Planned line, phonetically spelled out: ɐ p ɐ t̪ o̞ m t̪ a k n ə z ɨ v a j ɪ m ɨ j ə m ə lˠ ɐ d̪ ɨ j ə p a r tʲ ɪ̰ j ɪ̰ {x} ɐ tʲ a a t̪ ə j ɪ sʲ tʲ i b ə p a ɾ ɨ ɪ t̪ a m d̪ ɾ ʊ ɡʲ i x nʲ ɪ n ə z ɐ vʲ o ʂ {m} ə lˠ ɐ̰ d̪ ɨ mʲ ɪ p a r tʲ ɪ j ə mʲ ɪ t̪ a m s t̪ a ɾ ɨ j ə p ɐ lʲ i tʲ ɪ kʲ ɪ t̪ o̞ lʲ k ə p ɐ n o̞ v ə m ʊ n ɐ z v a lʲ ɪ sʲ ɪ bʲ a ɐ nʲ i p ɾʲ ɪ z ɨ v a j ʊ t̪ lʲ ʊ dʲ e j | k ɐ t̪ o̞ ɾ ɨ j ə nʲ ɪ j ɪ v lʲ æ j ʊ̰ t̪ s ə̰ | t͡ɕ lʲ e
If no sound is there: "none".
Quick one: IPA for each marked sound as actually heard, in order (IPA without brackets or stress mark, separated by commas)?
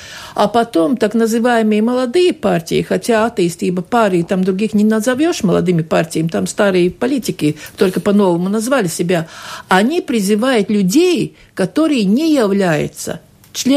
x, m